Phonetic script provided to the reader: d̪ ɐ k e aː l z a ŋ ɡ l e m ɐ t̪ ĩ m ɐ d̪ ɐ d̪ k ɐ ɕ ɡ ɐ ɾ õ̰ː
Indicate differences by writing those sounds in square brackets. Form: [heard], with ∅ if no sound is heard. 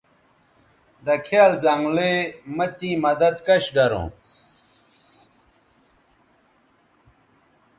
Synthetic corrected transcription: d̪ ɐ [kʰ] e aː l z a ŋ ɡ l e m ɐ t̪ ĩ m ɐ d̪ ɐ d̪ k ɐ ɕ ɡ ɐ ɾ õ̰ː